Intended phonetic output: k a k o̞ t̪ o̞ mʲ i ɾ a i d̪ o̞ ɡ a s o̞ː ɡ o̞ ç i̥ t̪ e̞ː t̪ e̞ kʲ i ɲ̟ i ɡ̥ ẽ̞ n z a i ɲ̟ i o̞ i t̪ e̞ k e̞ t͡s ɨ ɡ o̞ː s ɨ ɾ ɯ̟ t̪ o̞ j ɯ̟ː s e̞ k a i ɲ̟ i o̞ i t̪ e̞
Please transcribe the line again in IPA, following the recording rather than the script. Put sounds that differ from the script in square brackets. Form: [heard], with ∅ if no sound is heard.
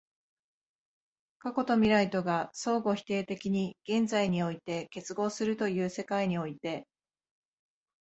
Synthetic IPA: k a k o̞ t̪ o̞ mʲ i ɾ a i [t̪] o̞ ɡ a s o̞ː ɡ o̞ ç i̥ t̪ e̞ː t̪ e̞ kʲ i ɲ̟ i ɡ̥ ẽ̞ n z a i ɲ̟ i o̞ i t̪ e̞ k e̞ t͡s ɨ ɡ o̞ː s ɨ ɾ ɯ̟ t̪ o̞ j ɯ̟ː s e̞ k a i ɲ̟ i o̞ i t̪ e̞